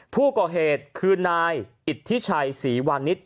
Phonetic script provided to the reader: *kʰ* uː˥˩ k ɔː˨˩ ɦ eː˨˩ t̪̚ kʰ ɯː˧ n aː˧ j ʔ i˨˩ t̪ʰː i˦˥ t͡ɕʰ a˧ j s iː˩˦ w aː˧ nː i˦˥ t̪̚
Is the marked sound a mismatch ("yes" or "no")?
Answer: yes